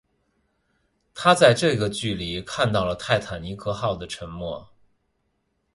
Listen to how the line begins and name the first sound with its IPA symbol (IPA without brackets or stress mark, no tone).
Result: t̪ʰ